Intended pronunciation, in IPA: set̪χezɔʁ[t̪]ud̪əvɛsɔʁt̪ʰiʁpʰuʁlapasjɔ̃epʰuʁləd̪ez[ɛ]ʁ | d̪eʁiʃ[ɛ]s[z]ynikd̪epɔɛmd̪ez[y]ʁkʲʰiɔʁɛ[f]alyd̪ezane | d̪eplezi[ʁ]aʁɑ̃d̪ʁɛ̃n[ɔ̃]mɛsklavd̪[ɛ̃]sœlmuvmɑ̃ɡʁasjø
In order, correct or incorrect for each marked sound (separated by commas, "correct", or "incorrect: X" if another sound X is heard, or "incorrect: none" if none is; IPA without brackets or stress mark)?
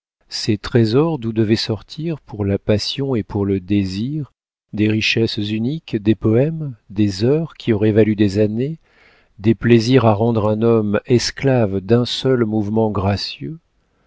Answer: incorrect: d̪, incorrect: i, correct, correct, incorrect: œ, incorrect: v, correct, incorrect: ɔ, correct